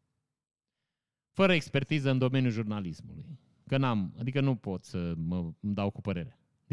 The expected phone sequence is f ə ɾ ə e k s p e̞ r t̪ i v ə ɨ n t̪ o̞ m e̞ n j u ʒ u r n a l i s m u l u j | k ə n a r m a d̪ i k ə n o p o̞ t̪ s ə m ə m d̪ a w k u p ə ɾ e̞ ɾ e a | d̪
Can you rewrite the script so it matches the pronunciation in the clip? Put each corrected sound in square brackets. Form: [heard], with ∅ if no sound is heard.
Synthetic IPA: f ə ɾ ə e k s p e̞ r t̪ i [z] ə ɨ n [d̪] o̞ m e̞ n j u ʒ u r n a l i s m u l u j | k ə n a [∅] m a d̪ i k ə n [u] p o̞ t̪ s ə m ə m d̪ a w k u p ə ɾ e̞ ɾ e a | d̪